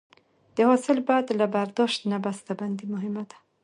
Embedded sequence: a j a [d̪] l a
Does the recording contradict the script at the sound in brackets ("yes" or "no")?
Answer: no